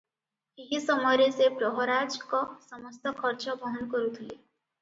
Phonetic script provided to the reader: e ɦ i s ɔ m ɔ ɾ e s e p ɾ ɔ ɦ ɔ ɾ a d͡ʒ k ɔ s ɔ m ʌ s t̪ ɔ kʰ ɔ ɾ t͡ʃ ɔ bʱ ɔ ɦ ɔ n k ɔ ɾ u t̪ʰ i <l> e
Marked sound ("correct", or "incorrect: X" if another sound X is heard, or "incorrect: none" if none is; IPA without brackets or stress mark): correct